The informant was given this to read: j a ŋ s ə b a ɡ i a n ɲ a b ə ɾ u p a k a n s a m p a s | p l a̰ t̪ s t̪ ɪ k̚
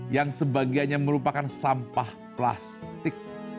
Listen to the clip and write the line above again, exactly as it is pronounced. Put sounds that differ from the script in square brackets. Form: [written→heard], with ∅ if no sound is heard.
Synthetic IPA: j a ŋ s ə b a ɡ i a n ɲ a [b→m] ə ɾ u p a k a n s a m p a [s→h] | p l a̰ [t̪→∅] s t̪ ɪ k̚